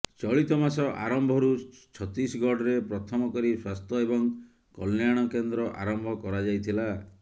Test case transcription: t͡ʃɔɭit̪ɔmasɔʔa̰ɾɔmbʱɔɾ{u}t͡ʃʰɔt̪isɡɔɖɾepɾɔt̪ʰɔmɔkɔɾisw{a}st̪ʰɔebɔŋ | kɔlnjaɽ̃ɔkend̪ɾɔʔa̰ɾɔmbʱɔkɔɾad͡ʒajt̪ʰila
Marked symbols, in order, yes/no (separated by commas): yes, yes